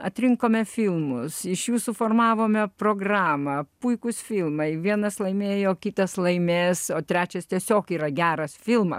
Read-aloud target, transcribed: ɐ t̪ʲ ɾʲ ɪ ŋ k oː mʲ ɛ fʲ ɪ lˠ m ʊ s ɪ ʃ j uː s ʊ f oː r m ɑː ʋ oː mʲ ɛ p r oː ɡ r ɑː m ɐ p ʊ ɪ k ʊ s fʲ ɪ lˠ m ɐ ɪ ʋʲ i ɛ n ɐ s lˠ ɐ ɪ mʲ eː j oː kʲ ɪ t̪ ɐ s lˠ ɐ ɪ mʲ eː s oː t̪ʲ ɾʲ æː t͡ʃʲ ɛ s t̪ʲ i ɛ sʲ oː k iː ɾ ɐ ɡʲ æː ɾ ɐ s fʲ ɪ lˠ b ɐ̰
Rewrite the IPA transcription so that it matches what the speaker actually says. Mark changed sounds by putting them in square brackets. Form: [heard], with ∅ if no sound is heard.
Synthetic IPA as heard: ɐ t̪ʲ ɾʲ ɪ ŋ k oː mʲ ɛ fʲ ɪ lˠ m ʊ s ɪ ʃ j uː s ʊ f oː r m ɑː ʋ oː mʲ ɛ p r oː ɡ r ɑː m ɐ p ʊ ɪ k ʊ s fʲ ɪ lˠ m ɐ ɪ ʋʲ i ɛ n ɐ s lˠ ɐ ɪ mʲ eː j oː kʲ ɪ t̪ ɐ s lˠ ɐ ɪ mʲ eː s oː t̪ʲ ɾʲ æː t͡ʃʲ ɛ s t̪ʲ i ɛ sʲ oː k iː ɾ ɐ ɡʲ æː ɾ ɐ s fʲ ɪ lˠ [m] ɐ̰